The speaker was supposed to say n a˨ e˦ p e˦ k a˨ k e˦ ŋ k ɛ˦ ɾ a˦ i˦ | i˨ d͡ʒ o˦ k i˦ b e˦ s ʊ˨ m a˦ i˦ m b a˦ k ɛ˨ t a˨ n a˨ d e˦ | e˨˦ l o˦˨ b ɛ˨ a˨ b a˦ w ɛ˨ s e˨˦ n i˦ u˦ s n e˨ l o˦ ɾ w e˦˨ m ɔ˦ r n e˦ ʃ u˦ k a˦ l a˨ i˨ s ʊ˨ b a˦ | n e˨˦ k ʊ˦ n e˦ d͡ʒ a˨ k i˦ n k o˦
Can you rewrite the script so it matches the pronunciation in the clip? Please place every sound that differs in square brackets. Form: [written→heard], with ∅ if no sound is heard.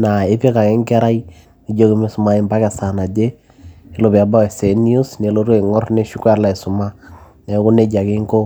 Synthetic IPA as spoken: n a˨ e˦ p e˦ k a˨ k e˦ ŋ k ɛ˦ ɾ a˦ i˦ | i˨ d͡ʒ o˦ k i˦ [b→m] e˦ s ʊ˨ m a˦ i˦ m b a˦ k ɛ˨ [t→s] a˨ n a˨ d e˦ | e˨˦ l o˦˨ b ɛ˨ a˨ b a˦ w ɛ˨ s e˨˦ n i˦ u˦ s n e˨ l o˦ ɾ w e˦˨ [m→ŋ] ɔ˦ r n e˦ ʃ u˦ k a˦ l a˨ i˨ s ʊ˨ [b→m] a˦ | n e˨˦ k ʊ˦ n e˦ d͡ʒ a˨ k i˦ [n→ŋ] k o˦